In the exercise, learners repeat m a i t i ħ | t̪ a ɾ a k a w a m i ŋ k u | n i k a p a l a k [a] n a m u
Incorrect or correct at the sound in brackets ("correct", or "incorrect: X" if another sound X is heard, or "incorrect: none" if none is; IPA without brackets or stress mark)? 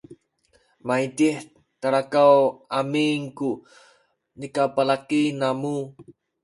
incorrect: i